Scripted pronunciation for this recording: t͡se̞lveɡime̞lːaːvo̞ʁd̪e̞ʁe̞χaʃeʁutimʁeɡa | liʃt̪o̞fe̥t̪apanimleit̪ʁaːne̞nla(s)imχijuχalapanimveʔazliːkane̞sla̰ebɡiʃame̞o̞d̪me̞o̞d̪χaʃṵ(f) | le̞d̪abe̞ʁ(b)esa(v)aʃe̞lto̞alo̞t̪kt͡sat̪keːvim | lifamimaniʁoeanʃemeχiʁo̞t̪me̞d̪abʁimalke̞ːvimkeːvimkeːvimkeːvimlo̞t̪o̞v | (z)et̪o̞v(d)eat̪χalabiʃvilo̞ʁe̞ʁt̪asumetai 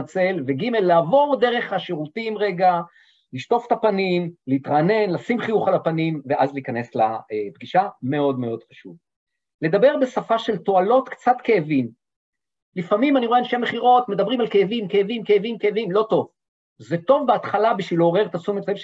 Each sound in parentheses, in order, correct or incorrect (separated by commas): correct, incorrect, correct, incorrect, correct, incorrect